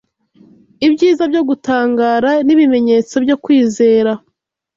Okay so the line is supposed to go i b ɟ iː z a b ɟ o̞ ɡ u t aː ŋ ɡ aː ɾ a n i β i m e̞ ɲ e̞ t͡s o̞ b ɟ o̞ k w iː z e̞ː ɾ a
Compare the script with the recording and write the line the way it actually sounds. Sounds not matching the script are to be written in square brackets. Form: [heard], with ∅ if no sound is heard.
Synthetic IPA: i b ɟ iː z a b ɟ o̞ ɡ u t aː ŋ ɡ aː ɾ a n i β i m e̞ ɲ e̞ t͡s o̞ b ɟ o̞ k w iː z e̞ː ɾ a